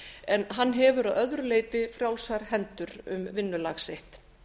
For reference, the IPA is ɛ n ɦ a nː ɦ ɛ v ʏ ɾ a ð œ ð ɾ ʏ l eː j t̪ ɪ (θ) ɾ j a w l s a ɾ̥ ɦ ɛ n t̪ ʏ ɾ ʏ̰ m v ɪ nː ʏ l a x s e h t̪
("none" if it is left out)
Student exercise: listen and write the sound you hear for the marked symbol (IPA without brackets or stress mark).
f